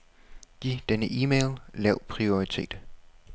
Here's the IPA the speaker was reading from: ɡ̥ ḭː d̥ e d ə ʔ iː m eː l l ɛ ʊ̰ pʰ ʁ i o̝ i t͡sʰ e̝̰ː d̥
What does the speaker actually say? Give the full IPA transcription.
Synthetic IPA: ɡ̥ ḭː d̥ e n ə ʔ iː m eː l l ɛ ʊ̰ pʰ ʁ i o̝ i t͡sʰ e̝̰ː d̥

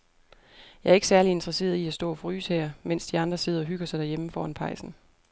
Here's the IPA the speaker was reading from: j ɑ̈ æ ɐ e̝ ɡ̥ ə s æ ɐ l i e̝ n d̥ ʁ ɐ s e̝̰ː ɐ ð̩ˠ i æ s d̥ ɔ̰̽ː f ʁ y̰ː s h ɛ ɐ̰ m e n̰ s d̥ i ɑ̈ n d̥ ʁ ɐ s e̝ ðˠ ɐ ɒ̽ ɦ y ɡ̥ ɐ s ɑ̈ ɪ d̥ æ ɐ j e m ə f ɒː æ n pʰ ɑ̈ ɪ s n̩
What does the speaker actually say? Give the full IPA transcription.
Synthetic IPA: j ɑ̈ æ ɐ e̝ ɡ̥ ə s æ ɐ l i e̝ n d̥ ʁ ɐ s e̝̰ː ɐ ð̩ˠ i æ s d̥ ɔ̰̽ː f ʁ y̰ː s h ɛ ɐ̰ m e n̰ s d̥ i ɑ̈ n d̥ ʁ ɐ s e̝ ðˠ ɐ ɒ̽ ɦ y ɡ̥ ɐ s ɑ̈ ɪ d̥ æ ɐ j e m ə f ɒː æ n pʰ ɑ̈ ɪ s n̩

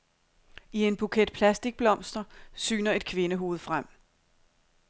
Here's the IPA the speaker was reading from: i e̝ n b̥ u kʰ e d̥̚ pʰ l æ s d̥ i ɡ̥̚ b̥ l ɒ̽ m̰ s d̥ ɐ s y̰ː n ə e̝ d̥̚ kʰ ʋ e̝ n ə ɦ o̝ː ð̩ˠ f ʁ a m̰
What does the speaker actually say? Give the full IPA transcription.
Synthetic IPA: i e̝ n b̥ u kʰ e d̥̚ pʰ l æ s d̥ i ɡ̥̚ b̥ l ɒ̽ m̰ s d̥ ɐ s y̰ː n ɐ e̝ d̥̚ kʰ ʋ e̝ n ə ɦ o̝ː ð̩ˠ f ʁ a m̰

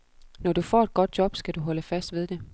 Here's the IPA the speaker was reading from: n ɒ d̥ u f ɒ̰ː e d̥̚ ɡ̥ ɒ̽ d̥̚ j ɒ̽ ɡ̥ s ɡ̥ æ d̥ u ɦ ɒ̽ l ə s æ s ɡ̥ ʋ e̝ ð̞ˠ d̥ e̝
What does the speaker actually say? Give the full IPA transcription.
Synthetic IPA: n ɒ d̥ u f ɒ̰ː e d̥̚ ɡ̥ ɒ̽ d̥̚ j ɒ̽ b̥ s ɡ̥ æ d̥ u ɦ ɒ̽ l ə f æ s d̥ ʋ e̝ ð̞ˠ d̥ e̝

